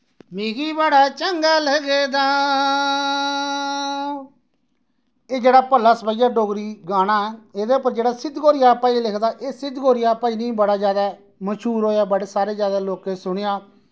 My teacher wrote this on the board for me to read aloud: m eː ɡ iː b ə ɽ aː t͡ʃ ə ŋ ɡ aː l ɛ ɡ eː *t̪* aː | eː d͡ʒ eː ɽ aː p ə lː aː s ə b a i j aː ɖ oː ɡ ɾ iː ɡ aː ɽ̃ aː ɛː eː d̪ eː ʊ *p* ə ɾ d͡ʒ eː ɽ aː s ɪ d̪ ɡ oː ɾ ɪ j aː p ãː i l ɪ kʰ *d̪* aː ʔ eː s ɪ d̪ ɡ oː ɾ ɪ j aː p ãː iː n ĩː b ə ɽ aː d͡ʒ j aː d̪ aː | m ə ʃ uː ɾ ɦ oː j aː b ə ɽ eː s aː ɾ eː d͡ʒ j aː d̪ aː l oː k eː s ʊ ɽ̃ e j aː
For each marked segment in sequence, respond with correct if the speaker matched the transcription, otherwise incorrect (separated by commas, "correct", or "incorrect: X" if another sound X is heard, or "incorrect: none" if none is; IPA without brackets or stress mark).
incorrect: d̪, correct, correct